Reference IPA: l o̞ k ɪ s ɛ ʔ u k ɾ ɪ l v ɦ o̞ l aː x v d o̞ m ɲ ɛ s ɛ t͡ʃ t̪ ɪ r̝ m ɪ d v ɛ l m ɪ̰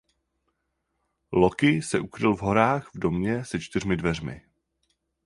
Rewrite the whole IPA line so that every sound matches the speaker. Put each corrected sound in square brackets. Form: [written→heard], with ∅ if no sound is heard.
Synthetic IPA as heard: l o̞ k ɪ s ɛ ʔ u k ɾ ɪ l v ɦ o̞ [l→ɾ] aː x v d o̞ m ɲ ɛ s ɛ t͡ʃ t̪ ɪ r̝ m ɪ d v ɛ [l→r] m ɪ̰